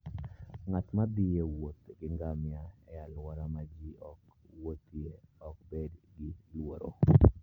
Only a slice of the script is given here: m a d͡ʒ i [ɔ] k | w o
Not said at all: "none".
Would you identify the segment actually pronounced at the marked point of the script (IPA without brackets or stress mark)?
ɔ